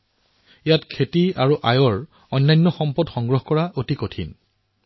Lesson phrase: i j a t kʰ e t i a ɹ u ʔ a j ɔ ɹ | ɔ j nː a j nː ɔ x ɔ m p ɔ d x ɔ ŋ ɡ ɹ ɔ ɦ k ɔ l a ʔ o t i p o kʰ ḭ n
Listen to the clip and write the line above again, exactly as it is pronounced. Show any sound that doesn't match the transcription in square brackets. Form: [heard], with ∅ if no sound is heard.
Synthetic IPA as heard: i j a t kʰ e t i a ɹ u ʔ a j ɔ ɹ | ɔ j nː a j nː ɔ x ɔ m p ɔ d x ɔ ŋ ɡ ɹ ɔ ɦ k ɔ [ɹ] a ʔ o t i [k] o [tʰ] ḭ n

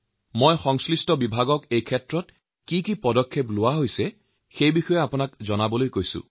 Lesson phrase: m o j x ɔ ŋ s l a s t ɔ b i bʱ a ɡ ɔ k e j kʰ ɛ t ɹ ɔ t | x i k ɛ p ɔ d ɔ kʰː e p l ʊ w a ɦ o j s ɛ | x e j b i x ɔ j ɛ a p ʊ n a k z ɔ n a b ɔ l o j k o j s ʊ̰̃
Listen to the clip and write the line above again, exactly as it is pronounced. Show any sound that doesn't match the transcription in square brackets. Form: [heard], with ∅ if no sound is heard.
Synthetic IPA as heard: m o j x ɔ ŋ s l [i] s t ɔ b i bʱ a ɡ ɔ k e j kʰ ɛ t ɹ ɔ t | [k] i k [i] p ɔ d ɔ kʰː e p l ʊ w a ɦ o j s ɛ | x e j b i x ɔ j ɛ a p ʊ n a k z ɔ n a b ɔ l o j k o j s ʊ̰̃

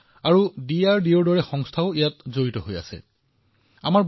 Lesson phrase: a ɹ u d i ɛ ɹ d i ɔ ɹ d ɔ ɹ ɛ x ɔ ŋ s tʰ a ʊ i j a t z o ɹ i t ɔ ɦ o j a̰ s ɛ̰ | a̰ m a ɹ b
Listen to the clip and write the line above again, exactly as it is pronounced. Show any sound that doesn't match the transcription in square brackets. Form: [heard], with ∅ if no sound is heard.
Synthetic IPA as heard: a ɹ u d i [a] ɹ d i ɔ ɹ d ɔ ɹ ɛ x ɔ ŋ s tʰ a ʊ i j a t z o ɹ i t ɔ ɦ o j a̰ s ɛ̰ | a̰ m a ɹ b

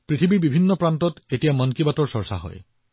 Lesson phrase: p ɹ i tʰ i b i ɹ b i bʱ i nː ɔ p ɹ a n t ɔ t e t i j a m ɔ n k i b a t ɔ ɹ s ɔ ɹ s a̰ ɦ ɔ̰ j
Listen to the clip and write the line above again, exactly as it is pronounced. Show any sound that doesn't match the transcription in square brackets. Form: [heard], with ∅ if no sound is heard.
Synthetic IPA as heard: p ɹ i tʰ i b i ɹ b i bʱ i nː ɔ p ɹ a n t ɔ t e t i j a m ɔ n k i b a t ɔ ɹ s ɔ ɹ s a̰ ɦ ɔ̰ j

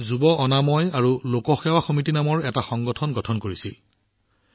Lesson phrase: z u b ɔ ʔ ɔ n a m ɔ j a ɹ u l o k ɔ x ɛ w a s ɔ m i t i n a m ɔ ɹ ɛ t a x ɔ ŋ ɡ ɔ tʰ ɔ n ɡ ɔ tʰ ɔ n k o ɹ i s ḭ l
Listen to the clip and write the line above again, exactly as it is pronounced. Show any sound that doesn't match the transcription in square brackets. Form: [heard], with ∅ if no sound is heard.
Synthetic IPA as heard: z u b ɔ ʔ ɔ n a m ɔ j a ɹ u l o k ɔ x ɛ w a [x] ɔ m i t i n a m ɔ ɹ ɛ t a x ɔ ŋ ɡ ɔ tʰ ɔ n ɡ ɔ tʰ ɔ n k o ɹ i s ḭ l

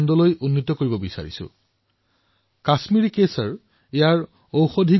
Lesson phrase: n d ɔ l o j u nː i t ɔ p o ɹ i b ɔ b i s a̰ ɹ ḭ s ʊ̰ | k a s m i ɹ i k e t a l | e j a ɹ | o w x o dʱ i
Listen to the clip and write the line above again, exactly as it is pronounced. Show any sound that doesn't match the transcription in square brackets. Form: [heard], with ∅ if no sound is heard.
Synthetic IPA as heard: n d ɔ l o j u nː i t ɔ [k] o ɹ i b ɔ b i s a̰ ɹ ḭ s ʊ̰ | k a s m i ɹ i k e [s] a [ɹ] | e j a ɹ | o w x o dʱ i

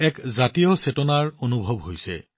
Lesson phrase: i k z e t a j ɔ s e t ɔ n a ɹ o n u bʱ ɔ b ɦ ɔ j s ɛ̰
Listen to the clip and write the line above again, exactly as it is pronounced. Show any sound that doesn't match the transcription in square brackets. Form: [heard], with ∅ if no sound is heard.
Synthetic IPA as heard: [ɛ] k z [a] t [i] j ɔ s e t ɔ n a ɹ o n u bʱ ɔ b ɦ [o] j s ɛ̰

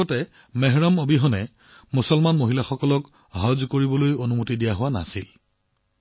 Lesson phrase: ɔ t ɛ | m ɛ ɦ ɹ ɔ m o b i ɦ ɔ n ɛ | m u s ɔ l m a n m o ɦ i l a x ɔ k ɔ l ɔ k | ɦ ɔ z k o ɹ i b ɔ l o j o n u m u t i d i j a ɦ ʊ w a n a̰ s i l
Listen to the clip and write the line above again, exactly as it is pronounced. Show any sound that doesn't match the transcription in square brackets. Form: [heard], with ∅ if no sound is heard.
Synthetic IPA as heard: ɔ t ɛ | m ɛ ɦ ɹ ɔ m o b i ɦ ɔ n ɛ | m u s ɔ l m a n m o ɦ i l a x ɔ k ɔ l ɔ k | ɦ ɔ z k o ɹ i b ɔ l o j o n u m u t i d i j a ɦ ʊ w a n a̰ s i l

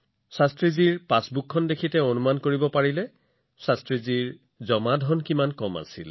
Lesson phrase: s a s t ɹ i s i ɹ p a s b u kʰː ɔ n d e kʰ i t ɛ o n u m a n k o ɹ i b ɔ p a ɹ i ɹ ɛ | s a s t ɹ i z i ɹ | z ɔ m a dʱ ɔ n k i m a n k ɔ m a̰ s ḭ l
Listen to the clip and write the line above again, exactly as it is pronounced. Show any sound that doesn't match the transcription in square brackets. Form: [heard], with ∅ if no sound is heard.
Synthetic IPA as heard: s a s t ɹ i [z] i ɹ p a s b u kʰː ɔ n d e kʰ i t ɛ o n u m a n k o ɹ i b ɔ p a ɹ i [l] ɛ | s a s t ɹ i z i ɹ | z ɔ m a dʱ ɔ n k i m a n k ɔ m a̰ s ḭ l

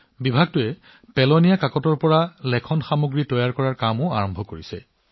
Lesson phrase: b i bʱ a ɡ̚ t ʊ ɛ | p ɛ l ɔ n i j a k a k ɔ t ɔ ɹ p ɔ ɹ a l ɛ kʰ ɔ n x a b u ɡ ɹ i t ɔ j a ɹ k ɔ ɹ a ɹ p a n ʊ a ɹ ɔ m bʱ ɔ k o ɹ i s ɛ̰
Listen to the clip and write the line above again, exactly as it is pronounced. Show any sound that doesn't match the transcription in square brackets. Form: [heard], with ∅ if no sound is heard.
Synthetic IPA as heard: b i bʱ a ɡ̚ t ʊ ɛ | p ɛ l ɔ n i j a k a k ɔ t ɔ ɹ p ɔ ɹ a l ɛ kʰ ɔ n x a [m] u ɡ ɹ i t ɔ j a ɹ k ɔ ɹ a ɹ [k] a [m] ʊ a ɹ ɔ m bʱ ɔ k o ɹ i s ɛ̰

